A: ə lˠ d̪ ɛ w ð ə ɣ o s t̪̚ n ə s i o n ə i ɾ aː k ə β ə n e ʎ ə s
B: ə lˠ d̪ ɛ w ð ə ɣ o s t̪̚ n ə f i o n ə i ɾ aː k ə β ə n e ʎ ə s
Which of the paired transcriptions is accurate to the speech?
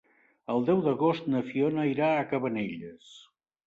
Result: B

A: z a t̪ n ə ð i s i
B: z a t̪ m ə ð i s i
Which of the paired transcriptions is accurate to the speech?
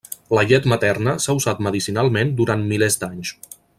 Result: B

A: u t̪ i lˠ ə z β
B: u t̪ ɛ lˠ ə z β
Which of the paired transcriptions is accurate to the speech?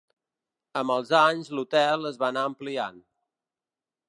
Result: B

